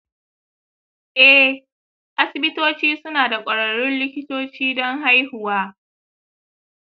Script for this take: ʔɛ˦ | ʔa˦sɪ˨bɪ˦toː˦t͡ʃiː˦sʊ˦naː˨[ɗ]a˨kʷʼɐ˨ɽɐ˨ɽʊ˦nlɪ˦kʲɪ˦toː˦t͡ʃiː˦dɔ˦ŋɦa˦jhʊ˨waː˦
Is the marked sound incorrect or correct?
incorrect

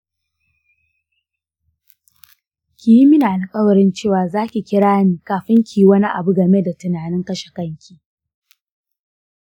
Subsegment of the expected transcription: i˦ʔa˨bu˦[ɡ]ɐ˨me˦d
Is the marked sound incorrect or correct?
correct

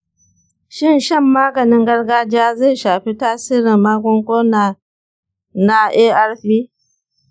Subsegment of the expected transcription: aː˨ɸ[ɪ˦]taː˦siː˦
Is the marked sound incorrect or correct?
incorrect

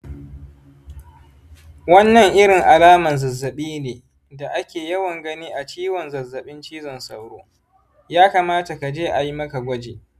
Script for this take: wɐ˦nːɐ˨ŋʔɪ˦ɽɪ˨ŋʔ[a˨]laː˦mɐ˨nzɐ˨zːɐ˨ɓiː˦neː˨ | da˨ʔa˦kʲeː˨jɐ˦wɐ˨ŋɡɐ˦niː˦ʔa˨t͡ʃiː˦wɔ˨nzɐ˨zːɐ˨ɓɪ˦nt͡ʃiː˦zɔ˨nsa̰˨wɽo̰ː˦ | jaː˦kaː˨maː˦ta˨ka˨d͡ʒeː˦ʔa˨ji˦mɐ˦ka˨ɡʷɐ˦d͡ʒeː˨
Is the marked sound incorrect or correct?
correct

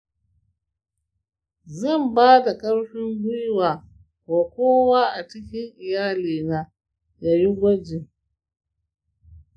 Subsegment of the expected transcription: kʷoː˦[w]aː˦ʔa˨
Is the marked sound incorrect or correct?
correct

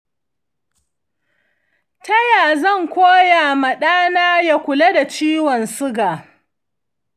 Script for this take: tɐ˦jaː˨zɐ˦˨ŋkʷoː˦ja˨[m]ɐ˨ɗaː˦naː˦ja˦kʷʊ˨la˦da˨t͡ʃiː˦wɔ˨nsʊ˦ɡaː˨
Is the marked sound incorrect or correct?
correct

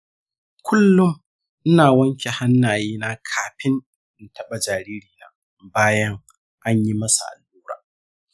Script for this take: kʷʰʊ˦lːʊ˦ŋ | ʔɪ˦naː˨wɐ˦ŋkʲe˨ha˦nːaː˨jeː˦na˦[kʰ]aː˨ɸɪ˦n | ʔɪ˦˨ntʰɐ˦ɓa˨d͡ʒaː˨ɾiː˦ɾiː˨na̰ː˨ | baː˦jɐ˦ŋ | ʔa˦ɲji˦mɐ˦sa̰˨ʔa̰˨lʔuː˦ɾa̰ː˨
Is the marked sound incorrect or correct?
correct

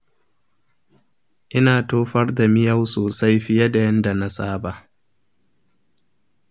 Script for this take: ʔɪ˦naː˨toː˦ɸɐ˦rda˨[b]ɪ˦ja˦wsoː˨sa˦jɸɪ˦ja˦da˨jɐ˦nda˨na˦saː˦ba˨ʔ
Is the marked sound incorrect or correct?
incorrect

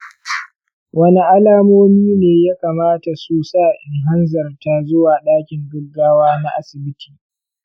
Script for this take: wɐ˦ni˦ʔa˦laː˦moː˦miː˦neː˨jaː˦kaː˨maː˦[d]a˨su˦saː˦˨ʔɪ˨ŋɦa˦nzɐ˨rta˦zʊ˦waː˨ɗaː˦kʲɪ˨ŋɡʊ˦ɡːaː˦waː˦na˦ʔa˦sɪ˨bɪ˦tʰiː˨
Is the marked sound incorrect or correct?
incorrect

